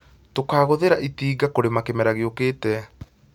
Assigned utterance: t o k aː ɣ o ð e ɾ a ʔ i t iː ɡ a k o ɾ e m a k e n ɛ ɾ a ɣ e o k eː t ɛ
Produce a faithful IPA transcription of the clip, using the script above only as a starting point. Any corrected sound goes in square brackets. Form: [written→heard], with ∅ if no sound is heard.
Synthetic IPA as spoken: t o k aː ɣ o ð e ɾ a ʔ i t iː ɡ a k o ɾ e m a k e [n→m] ɛ ɾ a ɣ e o k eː t ɛ